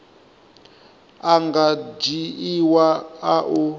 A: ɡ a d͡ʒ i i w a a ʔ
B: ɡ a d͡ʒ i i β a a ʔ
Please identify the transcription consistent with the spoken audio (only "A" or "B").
A